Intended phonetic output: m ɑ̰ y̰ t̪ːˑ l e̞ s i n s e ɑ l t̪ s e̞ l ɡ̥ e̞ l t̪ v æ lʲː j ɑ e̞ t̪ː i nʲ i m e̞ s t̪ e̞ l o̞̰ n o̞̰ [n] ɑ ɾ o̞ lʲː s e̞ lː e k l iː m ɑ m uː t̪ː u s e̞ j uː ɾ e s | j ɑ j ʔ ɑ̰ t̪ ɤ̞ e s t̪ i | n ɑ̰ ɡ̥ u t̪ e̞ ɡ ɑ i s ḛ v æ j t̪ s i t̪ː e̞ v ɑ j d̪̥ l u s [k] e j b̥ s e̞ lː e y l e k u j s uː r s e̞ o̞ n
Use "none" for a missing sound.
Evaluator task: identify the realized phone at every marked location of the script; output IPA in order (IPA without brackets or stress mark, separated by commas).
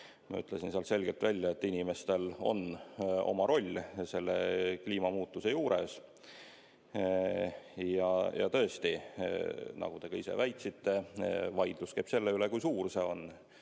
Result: m, k